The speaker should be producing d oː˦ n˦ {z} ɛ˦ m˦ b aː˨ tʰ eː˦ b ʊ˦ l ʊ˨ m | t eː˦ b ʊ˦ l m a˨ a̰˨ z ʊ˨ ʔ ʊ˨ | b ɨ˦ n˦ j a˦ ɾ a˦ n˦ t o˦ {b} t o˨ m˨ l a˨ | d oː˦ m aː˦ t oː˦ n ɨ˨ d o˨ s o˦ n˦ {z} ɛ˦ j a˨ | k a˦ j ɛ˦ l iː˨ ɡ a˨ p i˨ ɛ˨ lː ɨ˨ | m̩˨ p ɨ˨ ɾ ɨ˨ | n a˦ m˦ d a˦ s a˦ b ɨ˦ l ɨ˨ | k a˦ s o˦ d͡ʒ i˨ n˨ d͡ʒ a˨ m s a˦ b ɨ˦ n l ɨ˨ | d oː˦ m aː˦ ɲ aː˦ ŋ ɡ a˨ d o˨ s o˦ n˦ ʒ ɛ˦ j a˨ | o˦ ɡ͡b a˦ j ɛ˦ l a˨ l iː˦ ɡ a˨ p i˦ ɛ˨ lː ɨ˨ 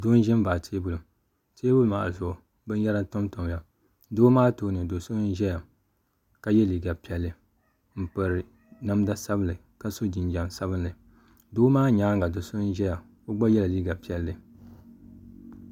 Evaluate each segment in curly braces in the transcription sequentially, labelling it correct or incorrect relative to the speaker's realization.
incorrect: ʒ, incorrect: m, incorrect: ʒ

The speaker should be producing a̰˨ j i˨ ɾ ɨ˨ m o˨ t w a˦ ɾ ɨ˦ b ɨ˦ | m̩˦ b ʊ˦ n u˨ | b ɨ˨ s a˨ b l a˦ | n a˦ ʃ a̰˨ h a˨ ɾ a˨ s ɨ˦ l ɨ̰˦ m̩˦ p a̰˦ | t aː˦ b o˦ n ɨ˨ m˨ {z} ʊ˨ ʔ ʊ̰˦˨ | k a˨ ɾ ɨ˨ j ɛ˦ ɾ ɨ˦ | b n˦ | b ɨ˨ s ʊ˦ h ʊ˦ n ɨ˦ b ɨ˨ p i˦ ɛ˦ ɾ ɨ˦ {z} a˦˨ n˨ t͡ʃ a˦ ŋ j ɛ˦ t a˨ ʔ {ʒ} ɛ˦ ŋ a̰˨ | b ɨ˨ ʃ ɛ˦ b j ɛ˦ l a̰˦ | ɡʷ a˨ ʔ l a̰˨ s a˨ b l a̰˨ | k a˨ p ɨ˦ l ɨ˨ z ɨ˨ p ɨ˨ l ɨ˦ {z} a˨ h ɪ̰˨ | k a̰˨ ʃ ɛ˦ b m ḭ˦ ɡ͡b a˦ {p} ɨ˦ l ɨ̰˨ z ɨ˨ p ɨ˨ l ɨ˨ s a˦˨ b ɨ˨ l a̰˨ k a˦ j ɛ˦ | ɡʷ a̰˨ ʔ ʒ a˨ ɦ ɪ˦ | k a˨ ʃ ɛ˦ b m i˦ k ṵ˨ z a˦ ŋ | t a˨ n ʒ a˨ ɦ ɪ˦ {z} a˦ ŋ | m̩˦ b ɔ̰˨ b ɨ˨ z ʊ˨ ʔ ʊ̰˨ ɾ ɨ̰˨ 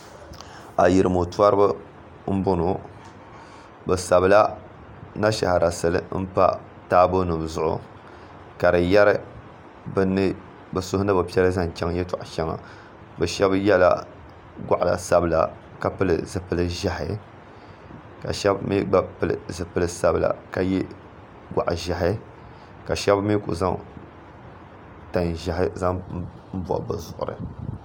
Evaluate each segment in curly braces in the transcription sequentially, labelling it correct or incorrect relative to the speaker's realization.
correct, correct, incorrect: ʃ, incorrect: ʒ, correct, correct

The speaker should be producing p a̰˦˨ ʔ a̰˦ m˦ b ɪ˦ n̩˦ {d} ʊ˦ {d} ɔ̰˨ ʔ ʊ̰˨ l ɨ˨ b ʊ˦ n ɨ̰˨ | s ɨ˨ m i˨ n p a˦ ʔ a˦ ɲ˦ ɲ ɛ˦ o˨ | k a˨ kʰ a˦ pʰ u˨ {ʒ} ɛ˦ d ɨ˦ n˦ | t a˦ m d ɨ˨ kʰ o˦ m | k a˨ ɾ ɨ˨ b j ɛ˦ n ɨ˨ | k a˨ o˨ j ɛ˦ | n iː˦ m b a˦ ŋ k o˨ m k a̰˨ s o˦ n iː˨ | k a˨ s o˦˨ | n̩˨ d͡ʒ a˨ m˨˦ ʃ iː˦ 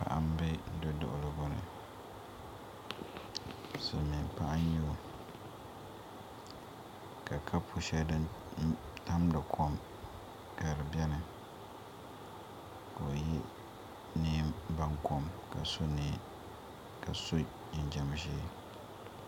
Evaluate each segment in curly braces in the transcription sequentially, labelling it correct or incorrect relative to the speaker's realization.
correct, correct, incorrect: ʃ

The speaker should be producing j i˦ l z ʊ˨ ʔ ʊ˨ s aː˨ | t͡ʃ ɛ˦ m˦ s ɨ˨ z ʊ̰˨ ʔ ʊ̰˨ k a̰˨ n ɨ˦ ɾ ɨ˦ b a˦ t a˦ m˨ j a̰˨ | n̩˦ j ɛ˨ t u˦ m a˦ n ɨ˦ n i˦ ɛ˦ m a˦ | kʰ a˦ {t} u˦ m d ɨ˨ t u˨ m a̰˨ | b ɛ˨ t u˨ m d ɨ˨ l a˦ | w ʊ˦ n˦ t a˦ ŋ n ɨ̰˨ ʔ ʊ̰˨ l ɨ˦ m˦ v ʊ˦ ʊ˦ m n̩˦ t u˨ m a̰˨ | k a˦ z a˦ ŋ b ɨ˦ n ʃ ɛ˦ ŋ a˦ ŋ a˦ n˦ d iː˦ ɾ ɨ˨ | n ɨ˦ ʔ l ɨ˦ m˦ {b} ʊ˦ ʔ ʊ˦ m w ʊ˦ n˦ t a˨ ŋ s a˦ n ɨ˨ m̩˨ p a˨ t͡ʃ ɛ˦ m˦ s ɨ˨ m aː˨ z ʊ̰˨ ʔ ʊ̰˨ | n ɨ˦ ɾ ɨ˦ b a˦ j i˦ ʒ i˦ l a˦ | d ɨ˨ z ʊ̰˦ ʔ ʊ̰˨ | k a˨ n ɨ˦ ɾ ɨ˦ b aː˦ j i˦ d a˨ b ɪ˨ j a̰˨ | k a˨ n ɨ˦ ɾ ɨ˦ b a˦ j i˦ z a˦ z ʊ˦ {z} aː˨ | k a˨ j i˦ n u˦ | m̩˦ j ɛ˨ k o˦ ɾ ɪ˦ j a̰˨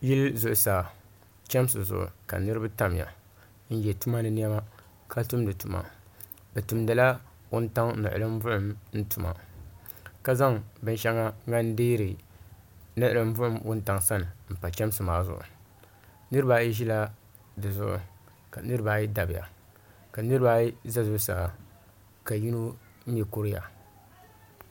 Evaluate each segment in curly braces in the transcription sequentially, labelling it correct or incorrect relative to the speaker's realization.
correct, incorrect: v, incorrect: s

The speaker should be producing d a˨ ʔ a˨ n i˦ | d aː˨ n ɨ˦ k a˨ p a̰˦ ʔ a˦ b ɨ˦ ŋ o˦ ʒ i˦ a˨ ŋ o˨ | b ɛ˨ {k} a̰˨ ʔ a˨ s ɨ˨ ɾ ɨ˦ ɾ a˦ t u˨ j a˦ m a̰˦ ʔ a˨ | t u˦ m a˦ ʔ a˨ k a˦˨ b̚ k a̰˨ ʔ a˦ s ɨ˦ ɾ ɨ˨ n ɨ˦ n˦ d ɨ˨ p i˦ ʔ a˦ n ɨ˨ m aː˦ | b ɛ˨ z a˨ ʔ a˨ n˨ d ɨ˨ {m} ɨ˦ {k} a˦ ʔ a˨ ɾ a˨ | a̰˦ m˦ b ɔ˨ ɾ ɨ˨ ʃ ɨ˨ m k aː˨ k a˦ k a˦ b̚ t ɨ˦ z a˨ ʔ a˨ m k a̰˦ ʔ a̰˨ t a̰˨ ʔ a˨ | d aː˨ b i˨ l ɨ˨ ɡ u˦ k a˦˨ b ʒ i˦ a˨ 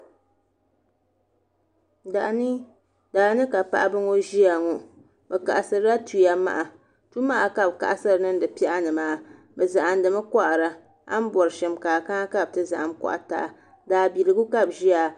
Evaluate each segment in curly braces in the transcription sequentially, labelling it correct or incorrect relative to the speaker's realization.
correct, correct, correct

